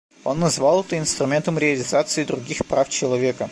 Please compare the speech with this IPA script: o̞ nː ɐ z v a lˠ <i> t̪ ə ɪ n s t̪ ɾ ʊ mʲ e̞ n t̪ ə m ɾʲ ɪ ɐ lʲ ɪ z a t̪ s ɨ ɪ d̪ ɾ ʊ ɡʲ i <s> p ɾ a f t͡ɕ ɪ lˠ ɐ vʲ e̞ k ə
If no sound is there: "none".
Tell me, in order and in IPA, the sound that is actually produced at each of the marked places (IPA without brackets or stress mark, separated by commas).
ɛ, x